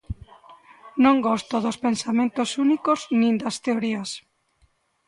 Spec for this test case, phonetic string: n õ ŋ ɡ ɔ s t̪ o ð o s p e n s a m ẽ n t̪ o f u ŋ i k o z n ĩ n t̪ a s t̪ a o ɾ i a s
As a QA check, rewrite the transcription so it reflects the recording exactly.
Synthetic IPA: n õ ŋ ɡ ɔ s t̪ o ð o s p e n s a m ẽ n t̪ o s u n i k o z n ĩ n d̪ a s t̪ e o ɾ i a s